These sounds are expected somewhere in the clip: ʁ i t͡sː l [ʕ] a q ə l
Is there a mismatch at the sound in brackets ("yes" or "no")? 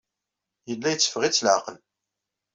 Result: no